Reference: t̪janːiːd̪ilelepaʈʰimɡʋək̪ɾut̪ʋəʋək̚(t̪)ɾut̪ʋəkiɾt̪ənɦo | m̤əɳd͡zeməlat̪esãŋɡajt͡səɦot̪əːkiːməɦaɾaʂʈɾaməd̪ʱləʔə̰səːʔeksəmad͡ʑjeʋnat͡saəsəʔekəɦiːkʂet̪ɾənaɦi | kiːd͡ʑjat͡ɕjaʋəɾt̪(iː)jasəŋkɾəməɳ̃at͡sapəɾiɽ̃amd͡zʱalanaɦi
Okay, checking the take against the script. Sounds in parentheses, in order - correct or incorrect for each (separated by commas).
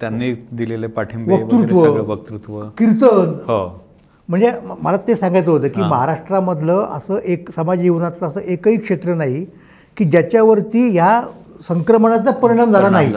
correct, correct